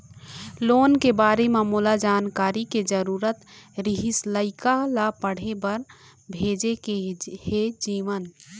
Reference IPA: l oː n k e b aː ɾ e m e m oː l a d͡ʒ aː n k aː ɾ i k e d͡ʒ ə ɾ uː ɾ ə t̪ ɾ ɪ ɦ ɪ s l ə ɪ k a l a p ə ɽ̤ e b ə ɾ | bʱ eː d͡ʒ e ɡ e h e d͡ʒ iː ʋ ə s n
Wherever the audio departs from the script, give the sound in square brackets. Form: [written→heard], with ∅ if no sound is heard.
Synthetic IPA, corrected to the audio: l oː n k e b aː ɾ e m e m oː l a d͡ʒ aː n k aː ɾ i k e d͡ʒ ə ɾ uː ɾ ə t̪ ɾ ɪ ɦ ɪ s l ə ɪ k a l a p ə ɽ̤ e b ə ɾ | bʱ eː d͡ʒ e [ɡ→k] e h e d͡ʒ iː ʋ ə [s→∅] n